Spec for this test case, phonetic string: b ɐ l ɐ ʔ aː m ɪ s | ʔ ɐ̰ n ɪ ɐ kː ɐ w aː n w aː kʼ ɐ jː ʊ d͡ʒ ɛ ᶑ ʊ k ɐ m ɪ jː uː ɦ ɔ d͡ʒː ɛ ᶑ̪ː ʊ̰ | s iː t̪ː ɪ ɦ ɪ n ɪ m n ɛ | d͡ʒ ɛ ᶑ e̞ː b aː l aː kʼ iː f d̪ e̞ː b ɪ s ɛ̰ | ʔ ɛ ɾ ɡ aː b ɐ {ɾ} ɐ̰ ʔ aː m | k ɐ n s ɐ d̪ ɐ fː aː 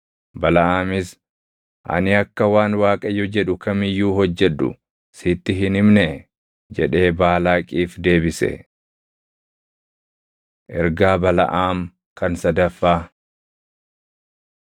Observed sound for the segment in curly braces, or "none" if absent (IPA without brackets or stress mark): l